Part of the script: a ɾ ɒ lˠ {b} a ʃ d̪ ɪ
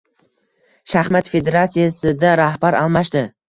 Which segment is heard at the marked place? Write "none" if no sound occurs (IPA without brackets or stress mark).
m